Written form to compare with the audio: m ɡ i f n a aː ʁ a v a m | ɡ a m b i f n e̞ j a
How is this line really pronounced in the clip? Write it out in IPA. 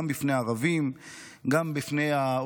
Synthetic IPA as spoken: m b i f n e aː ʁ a v i m | ɡ a m b i f n e̞ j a